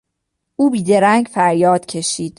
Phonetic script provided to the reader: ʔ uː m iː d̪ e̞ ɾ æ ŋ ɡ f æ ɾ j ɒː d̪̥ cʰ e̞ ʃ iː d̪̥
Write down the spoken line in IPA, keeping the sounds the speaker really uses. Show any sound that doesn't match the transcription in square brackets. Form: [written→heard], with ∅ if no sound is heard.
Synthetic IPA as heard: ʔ uː [m→b] iː d̪ e̞ ɾ æ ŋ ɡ f æ ɾ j ɒː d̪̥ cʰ e̞ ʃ iː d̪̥